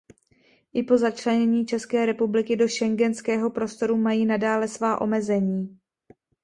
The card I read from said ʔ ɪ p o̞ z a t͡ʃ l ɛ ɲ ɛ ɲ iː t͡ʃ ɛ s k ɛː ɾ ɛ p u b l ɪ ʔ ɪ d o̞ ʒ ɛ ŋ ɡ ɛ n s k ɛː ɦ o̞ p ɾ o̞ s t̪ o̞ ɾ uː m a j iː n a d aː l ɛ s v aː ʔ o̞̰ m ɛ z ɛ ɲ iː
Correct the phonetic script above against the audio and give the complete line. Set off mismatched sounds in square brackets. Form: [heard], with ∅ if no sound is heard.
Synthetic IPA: ʔ ɪ p o̞ z a t͡ʃ l ɛ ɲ ɛ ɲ iː t͡ʃ ɛ s k ɛː ɾ ɛ p u b l ɪ [k] ɪ d o̞ [ʃ] ɛ ŋ ɡ ɛ n s k ɛː ɦ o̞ p ɾ o̞ s t̪ o̞ ɾ [u] m a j iː n a d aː l ɛ s v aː ʔ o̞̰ m ɛ z ɛ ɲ iː